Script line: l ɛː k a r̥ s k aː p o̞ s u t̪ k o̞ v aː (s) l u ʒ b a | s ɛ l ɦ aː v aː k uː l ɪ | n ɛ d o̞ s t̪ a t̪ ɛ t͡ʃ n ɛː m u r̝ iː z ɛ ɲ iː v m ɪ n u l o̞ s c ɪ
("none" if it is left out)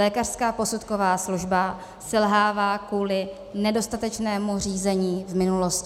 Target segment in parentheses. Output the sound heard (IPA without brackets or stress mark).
s